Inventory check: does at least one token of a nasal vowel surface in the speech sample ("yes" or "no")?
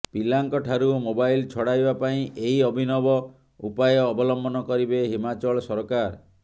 yes